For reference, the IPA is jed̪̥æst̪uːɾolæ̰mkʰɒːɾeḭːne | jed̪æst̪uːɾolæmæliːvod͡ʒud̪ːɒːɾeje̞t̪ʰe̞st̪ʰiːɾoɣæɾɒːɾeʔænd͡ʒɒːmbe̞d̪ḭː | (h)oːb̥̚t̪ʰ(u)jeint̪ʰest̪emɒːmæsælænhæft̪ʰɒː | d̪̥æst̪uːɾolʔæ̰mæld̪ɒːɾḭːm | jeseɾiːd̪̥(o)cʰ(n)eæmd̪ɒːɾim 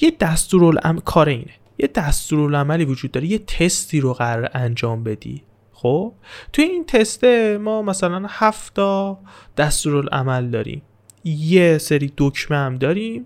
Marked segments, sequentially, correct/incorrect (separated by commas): incorrect, correct, correct, incorrect